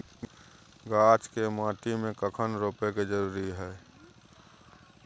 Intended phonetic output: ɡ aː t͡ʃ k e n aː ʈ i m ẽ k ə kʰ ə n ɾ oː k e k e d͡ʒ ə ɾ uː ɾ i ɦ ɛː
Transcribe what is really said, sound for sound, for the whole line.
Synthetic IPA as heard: ɡ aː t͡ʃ k e m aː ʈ i m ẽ k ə kʰ ə n ɾ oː p e k e d͡ʒ ə ɾ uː ɾ i ɦ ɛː